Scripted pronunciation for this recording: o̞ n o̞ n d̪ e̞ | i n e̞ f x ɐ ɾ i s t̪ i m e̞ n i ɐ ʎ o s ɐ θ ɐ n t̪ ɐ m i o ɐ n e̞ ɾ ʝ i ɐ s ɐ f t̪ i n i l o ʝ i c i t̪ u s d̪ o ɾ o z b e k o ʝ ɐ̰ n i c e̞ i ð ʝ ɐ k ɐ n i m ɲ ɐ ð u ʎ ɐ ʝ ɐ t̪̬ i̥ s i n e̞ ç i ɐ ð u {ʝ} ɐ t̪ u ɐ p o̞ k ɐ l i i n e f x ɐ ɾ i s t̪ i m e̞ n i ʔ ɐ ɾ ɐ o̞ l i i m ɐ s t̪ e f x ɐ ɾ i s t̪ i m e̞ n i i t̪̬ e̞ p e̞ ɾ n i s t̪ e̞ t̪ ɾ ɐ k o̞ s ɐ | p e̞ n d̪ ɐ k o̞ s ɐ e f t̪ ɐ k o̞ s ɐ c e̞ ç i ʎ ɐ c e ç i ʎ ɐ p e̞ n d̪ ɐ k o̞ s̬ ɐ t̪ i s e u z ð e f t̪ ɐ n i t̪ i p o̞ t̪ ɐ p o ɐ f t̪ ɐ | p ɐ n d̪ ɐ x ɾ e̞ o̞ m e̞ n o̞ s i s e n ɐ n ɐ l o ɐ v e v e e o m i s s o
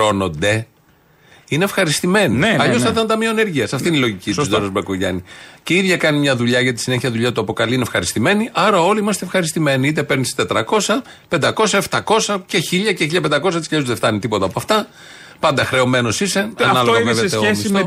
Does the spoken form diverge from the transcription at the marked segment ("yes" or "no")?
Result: yes